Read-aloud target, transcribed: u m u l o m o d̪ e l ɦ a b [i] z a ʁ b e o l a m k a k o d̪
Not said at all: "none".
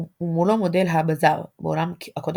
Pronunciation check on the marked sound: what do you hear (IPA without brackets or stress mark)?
a